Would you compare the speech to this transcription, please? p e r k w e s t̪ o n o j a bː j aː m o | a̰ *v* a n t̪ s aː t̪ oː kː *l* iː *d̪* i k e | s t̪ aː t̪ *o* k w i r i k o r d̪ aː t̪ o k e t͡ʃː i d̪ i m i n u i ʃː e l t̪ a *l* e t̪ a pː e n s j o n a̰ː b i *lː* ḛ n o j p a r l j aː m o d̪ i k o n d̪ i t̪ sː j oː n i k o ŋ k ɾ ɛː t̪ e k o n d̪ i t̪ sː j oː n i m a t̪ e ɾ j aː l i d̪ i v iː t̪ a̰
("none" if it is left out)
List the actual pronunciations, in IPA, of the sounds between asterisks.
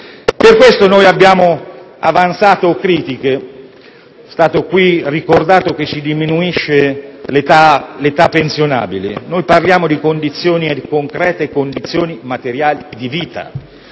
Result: v, ɾ, t̪, o, l, l

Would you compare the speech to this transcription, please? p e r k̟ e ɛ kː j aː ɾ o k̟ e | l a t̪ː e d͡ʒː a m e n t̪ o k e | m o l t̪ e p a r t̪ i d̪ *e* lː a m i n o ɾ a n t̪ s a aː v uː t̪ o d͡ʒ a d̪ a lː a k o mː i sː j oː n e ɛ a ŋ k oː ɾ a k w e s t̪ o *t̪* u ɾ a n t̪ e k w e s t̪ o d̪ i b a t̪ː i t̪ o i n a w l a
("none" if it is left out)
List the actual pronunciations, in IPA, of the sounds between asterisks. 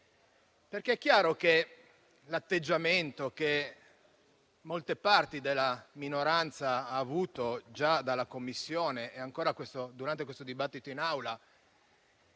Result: e, d̪

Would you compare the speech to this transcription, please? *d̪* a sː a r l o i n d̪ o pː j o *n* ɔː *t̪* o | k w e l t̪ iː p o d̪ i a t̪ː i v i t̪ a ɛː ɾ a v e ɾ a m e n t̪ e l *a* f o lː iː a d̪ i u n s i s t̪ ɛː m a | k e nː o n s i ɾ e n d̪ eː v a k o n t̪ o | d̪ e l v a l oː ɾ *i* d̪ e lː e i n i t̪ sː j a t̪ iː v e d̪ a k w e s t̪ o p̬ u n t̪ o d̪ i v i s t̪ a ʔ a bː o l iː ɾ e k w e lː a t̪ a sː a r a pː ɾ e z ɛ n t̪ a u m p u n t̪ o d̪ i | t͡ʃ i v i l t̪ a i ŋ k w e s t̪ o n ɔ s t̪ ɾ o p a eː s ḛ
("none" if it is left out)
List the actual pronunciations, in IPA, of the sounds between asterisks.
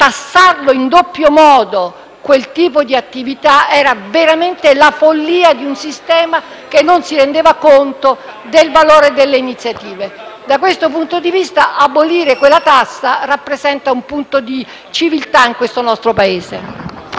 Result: t̪, m, d̪, a, e

